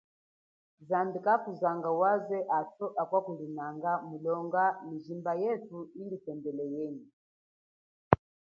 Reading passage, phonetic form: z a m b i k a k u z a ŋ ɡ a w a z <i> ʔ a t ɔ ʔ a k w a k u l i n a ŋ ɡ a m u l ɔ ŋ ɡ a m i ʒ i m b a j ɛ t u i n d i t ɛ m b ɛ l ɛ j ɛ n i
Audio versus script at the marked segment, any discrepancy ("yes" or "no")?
yes